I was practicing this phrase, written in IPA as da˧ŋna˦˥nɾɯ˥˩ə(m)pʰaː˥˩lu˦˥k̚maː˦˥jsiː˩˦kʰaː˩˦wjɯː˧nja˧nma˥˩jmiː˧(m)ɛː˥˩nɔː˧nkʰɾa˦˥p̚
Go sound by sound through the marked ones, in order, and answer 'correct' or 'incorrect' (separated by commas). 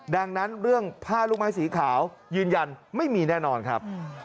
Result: incorrect, incorrect